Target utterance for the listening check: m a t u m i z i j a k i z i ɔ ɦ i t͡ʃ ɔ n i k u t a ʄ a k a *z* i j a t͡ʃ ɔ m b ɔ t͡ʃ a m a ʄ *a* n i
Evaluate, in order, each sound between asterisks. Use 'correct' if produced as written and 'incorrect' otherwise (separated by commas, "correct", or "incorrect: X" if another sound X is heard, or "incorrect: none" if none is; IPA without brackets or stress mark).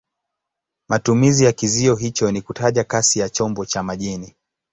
incorrect: s, incorrect: i